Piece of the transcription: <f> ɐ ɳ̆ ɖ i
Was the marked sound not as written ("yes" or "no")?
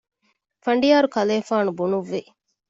no